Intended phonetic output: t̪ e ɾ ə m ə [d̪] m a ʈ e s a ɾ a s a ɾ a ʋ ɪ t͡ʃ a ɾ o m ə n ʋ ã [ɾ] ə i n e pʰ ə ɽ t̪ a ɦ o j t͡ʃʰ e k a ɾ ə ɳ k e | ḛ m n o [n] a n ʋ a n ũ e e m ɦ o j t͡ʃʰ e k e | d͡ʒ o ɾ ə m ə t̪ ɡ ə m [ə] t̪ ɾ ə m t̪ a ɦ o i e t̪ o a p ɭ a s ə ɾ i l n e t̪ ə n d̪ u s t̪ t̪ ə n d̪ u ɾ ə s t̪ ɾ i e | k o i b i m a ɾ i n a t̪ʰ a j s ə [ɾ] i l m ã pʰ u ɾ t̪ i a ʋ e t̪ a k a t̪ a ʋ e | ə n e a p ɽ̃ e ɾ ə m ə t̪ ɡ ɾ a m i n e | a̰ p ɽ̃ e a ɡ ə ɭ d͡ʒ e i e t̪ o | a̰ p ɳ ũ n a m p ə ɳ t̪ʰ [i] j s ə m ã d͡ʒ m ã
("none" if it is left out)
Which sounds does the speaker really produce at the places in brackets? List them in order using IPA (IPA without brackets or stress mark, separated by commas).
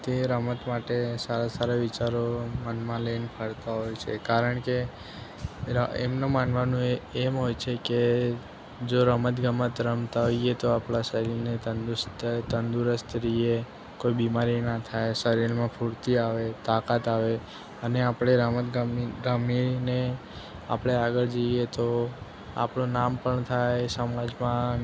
t̪, l, m, ə, ɾ, a